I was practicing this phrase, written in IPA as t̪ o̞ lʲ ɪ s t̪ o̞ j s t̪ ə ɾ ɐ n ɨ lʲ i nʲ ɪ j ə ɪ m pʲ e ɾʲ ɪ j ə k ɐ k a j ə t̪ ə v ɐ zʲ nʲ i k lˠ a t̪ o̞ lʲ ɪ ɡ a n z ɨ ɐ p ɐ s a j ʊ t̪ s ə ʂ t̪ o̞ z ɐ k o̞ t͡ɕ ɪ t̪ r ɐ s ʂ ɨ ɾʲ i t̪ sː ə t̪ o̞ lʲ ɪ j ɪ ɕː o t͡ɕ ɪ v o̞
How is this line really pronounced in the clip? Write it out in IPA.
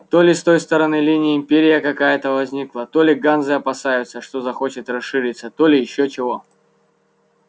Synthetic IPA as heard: t̪ o̞ lʲ ɪ s t̪ o̞ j s t̪ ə ɾ ɐ n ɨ lʲ i nʲ ɪ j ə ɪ m pʲ e ɾʲ ɪ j ə k ɐ k a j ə t̪ ə v ɐ zʲ nʲ i k lˠ ə t̪ o̞ lʲ ɪ ɡ a n z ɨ ɐ p ɐ s a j ʊ t̪ s ə ʂ t̪ o̞ z ɐ x o̞ t͡ɕ ɪ t̪ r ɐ s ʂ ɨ ɾʲ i t̪ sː ə t̪ o̞ lʲ ɪ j ɪ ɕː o t͡ɕ ɪ v o̞